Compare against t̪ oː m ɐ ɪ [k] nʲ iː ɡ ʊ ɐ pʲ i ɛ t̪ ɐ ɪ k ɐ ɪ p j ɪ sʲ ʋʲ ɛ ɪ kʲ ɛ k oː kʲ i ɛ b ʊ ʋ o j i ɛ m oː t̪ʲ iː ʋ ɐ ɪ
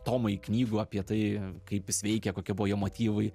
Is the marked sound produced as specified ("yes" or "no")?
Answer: yes